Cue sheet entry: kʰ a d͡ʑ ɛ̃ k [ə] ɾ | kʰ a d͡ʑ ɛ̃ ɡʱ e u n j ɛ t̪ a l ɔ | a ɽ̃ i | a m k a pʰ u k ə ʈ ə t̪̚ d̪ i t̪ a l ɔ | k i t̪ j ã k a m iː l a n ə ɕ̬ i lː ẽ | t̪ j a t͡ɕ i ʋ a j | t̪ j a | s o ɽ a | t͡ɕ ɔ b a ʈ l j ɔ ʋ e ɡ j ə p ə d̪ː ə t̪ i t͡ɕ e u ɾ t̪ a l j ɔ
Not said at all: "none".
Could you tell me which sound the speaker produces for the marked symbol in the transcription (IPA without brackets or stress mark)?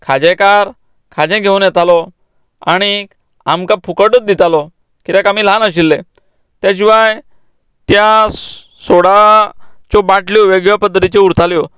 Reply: a